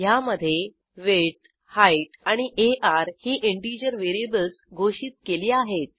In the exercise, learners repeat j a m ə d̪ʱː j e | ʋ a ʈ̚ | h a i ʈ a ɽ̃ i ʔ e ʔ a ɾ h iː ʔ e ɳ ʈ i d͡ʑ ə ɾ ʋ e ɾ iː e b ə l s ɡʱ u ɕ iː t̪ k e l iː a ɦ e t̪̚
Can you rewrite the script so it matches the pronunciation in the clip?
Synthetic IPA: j a m ə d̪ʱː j e | ʋ e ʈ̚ | h a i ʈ a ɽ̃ i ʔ e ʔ a ɾ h iː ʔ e ɳ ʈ i d͡ʑ ə ɾ ʋ e ɾ i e b ə l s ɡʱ o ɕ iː t̪ k e l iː a ɦ e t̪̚